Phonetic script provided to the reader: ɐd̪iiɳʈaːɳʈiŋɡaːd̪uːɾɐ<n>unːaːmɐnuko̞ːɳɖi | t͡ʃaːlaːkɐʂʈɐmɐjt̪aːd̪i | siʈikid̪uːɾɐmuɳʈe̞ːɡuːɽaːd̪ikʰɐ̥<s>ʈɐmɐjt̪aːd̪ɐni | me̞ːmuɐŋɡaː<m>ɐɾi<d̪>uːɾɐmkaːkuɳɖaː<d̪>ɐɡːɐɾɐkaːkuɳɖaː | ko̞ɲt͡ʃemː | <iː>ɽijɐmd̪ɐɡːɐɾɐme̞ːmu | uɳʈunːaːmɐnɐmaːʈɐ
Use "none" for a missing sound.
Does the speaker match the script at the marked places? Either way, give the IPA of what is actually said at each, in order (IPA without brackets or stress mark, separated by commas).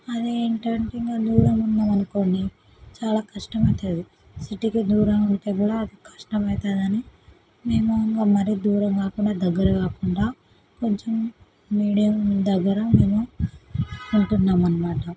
m, ʂ, m, d̪, d̪, iː